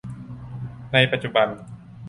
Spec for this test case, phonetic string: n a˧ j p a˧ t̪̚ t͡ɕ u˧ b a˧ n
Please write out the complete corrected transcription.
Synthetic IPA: n a˧ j p a˧ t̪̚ t͡ɕ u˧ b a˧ n